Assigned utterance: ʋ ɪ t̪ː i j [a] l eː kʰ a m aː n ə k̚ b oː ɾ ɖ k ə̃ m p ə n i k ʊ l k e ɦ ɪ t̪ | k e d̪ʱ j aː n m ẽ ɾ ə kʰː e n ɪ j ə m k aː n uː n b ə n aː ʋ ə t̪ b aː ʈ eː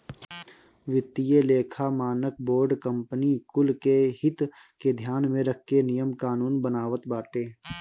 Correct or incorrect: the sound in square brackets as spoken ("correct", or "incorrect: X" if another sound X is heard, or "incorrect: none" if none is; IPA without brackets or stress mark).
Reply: incorrect: e